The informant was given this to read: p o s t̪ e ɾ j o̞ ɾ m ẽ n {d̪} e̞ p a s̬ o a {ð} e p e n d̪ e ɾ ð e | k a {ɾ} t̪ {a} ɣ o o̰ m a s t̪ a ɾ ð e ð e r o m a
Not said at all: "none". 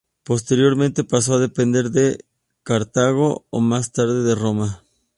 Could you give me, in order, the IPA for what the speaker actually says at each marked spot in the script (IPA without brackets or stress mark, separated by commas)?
t̪, ð, ɾ, a